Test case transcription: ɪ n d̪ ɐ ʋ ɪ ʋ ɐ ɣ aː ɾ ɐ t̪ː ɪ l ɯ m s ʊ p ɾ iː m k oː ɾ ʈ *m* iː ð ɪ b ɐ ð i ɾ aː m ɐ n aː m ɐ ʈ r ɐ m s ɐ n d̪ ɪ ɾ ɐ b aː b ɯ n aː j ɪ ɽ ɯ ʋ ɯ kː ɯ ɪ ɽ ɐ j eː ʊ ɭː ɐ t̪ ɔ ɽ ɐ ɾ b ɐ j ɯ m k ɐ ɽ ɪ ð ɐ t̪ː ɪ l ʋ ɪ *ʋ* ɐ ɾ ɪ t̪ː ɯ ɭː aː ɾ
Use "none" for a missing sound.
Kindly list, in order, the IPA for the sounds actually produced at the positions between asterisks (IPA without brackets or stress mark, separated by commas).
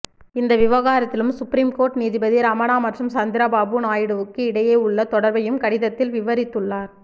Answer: n, ʋ